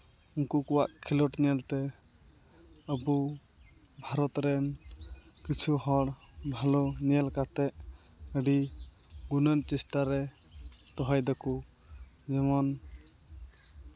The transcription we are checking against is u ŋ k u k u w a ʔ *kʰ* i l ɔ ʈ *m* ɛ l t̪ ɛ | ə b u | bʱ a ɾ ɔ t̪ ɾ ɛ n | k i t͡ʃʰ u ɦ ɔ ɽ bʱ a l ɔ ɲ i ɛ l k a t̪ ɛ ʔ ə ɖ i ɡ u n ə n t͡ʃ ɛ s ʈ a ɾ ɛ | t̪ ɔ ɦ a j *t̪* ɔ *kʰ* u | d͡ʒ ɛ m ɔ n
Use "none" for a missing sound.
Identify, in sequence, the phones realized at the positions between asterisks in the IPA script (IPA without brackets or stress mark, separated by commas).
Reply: kʰ, ɲ, d̪, k